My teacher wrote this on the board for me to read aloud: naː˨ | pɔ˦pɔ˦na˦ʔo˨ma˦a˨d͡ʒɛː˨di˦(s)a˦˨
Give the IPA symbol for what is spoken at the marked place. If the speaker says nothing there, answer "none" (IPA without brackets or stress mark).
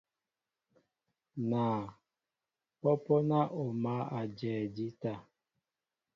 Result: t